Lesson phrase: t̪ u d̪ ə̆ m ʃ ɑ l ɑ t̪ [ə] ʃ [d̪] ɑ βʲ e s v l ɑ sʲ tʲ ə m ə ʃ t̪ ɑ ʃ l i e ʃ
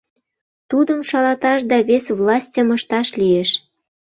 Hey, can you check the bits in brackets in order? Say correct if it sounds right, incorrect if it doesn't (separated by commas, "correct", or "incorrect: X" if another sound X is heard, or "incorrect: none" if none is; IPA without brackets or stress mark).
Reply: incorrect: ɑ, correct